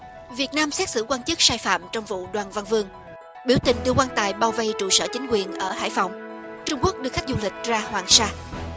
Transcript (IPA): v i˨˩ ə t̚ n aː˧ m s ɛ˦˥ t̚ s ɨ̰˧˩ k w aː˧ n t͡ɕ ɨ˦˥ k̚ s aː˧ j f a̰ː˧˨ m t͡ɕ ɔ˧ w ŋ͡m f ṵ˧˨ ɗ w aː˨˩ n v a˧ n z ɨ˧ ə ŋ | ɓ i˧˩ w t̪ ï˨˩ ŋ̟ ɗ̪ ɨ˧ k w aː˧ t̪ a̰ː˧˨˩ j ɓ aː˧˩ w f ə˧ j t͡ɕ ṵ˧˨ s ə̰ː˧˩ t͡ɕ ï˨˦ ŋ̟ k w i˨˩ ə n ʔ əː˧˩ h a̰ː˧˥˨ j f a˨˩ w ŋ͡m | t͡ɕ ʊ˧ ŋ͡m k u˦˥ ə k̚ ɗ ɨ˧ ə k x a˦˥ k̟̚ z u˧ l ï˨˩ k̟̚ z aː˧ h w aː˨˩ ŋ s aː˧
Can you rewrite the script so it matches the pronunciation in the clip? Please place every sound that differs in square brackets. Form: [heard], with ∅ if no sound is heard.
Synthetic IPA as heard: v i˨˩ ə t̚ n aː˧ m s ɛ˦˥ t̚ s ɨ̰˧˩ k w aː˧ n t͡ɕ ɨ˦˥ k̚ s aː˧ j f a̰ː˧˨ m t͡ɕ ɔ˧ w ŋ͡m [v] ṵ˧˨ ɗ w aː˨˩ n v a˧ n [v] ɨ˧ ə ŋ | ɓ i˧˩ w t̪ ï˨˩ ŋ̟ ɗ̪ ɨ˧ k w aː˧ t̪ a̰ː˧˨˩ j ɓ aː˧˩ w [v] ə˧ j t͡ɕ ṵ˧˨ s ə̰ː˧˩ t͡ɕ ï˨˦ ŋ̟ k w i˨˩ ə n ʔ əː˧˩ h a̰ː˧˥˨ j f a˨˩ w ŋ͡m | t͡ɕ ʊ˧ ŋ͡m k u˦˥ ə k̚ ɗ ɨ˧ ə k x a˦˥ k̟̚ z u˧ l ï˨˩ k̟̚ z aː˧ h w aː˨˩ ŋ s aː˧